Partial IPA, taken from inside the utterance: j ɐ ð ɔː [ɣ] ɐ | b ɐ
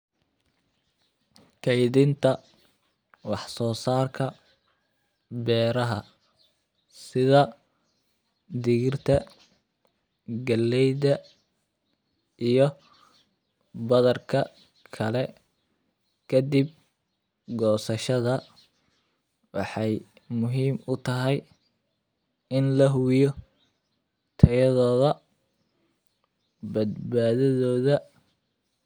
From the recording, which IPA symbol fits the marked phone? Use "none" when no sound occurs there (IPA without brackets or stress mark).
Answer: ð